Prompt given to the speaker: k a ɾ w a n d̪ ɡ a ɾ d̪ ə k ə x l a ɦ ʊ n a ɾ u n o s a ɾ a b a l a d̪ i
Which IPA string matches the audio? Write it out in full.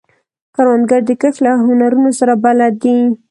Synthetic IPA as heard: k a ɾ w a n d̪ ɡ a ɾ d̪ ə k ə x l a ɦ ʊ n a ɾ u n o s a ɾ a b a l a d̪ i